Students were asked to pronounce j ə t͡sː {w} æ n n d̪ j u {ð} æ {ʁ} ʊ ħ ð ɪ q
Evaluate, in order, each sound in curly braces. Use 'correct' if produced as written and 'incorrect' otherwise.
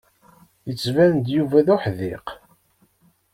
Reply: incorrect, incorrect, incorrect

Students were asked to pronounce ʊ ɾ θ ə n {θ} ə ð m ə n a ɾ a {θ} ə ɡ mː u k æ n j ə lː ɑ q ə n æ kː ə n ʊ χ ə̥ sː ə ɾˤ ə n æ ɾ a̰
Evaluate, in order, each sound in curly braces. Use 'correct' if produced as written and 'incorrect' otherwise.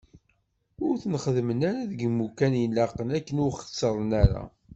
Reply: incorrect, incorrect

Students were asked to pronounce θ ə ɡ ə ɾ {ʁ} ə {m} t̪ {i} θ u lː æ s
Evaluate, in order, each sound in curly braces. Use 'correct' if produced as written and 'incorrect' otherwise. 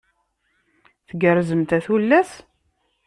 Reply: incorrect, correct, incorrect

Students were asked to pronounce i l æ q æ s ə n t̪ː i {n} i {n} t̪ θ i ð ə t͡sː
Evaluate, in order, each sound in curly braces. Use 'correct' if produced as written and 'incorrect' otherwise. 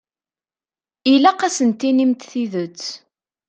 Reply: correct, incorrect

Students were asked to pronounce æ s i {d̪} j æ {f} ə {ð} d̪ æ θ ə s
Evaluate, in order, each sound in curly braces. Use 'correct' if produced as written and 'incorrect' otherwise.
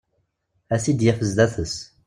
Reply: correct, correct, incorrect

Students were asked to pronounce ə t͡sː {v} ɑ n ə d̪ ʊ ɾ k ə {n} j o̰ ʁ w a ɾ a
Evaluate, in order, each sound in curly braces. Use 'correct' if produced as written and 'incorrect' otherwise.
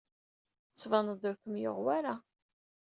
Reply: correct, incorrect

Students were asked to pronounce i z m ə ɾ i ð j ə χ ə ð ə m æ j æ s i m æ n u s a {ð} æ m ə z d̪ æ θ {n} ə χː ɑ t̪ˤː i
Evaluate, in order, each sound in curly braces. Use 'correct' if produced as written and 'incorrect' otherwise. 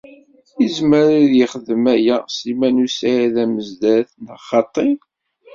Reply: correct, correct

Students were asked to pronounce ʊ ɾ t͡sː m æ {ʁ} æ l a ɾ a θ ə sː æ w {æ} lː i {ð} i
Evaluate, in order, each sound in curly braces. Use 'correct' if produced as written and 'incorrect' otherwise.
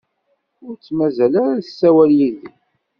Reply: incorrect, correct, correct

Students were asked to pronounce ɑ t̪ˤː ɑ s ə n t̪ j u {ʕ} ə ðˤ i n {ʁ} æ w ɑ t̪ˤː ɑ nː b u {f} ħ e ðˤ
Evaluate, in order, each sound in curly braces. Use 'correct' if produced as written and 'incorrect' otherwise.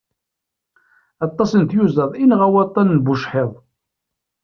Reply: incorrect, correct, incorrect

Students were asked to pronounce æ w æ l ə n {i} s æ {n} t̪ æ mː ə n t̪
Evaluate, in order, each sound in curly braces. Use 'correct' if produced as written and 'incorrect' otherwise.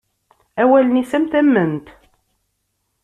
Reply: correct, incorrect

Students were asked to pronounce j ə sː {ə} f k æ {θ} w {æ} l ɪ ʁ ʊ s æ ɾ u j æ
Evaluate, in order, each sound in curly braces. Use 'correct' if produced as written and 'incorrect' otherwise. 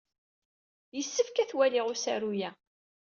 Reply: correct, correct, correct

